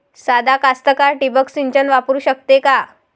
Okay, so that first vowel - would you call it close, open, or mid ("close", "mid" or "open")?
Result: open